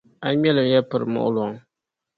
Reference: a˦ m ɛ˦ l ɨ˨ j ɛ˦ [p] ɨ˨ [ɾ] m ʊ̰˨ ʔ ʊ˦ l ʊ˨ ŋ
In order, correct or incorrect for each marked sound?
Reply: correct, correct

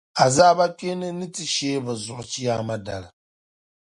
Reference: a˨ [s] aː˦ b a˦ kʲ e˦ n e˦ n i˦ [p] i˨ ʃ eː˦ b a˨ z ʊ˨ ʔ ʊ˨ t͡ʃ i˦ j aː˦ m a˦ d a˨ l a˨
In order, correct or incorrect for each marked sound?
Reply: incorrect: z, incorrect: t

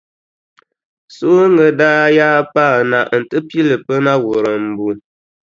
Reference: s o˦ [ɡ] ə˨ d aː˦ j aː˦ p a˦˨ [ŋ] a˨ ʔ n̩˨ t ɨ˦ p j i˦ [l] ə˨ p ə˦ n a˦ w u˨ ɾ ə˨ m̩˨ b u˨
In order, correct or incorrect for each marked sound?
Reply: incorrect: ŋ, incorrect: n, correct

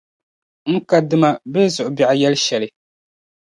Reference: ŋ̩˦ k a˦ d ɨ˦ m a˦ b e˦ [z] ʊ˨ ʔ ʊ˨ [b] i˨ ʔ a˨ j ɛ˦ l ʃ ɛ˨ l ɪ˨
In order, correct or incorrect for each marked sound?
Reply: correct, correct

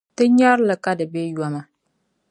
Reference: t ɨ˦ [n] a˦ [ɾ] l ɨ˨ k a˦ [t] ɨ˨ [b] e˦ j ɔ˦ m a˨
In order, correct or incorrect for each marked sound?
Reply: incorrect: ɲ, correct, incorrect: d, correct

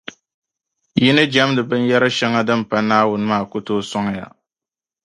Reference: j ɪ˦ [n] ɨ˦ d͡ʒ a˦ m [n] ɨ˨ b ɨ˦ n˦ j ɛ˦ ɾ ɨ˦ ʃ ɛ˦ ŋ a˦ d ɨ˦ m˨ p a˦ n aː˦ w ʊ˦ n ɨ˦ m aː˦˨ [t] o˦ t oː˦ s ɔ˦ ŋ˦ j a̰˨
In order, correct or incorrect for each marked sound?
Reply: correct, incorrect: d, incorrect: k

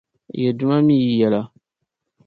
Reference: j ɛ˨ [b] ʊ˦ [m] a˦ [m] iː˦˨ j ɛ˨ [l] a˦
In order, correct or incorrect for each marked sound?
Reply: incorrect: d, correct, correct, correct

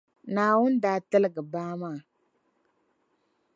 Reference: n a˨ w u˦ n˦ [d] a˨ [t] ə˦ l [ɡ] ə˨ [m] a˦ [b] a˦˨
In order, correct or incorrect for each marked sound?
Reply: correct, correct, correct, incorrect: b, incorrect: m

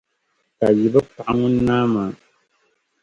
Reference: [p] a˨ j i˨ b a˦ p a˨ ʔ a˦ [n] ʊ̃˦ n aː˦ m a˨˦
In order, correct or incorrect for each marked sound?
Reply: incorrect: k, incorrect: ŋ

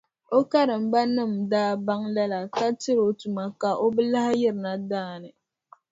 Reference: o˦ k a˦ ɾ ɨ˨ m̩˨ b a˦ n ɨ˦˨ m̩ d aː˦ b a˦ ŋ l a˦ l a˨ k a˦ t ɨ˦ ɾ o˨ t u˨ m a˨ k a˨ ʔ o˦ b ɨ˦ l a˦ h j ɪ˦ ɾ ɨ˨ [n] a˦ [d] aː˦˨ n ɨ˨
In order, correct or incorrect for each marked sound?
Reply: correct, correct

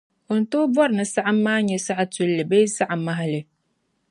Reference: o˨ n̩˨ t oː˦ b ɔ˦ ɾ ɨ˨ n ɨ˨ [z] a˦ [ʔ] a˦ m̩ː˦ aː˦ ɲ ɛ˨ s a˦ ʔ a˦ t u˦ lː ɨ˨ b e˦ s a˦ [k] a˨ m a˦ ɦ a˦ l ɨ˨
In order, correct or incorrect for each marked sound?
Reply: incorrect: s, correct, incorrect: ʔ

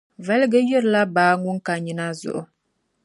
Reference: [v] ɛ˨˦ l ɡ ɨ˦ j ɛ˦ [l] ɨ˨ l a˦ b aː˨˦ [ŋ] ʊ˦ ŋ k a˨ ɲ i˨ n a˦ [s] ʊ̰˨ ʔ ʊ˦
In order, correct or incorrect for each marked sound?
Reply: correct, incorrect: ɾ, correct, incorrect: z

